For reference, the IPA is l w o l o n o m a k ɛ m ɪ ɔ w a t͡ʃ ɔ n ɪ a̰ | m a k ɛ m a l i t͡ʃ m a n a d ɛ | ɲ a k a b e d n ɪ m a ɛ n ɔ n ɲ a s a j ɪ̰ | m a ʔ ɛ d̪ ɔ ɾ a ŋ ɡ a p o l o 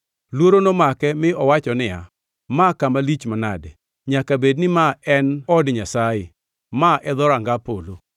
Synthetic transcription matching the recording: l w o ɾ o n o m a k ɛ m ɪ ɔ w a t͡ʃ ɔ n ɪ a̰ | m a k a m a l i t͡ʃ m a n a d ɛ | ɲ a k a b e d n ɪ m a ɛ n ɔ d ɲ a s a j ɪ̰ | m a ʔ ɛ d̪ ɔ ɾ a ŋ ɡ a p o l o